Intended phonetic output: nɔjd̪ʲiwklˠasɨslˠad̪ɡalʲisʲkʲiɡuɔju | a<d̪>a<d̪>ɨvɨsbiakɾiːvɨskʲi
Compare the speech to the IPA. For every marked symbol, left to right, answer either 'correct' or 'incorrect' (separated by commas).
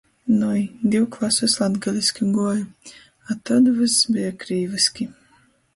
incorrect, correct